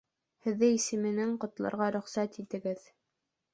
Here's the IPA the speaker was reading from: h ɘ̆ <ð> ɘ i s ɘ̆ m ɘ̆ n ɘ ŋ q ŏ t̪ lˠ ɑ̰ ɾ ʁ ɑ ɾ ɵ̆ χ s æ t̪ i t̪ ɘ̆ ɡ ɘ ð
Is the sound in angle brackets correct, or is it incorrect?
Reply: incorrect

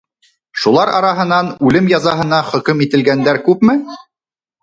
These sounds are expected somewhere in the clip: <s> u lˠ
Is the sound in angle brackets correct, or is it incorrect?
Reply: incorrect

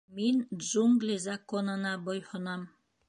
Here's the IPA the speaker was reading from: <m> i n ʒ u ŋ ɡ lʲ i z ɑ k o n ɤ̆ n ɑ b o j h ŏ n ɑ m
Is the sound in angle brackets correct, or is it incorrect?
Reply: correct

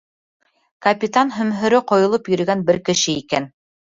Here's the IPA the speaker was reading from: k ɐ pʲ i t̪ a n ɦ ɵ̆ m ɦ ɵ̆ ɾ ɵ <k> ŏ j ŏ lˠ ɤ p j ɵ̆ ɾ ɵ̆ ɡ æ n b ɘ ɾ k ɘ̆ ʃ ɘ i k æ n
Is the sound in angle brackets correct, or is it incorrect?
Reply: incorrect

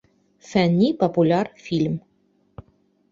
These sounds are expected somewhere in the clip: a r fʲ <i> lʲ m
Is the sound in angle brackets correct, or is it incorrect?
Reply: correct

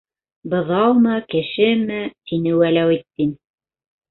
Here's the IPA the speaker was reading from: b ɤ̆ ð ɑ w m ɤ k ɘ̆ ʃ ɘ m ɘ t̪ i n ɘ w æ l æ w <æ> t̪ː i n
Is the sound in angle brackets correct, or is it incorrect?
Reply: incorrect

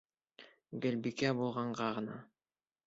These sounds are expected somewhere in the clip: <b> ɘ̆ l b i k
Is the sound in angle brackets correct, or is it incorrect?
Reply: incorrect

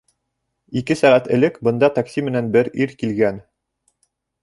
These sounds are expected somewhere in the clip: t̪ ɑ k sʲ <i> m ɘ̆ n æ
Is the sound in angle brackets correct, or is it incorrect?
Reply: correct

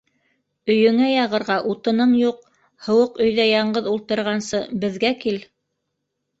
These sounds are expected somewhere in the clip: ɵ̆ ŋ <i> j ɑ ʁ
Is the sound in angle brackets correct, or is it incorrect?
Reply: incorrect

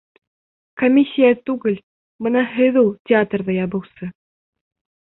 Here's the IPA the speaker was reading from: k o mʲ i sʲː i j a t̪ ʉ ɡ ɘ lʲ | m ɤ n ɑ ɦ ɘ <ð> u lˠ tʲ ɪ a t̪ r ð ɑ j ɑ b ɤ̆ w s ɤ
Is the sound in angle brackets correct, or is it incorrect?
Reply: correct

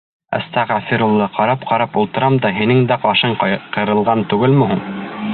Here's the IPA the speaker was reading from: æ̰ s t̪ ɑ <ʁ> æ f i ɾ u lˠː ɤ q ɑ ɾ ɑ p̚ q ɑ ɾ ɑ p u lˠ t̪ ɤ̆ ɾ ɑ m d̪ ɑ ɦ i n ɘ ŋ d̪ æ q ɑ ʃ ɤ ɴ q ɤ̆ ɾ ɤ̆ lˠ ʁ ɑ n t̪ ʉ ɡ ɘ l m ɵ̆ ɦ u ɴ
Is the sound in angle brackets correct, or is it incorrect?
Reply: correct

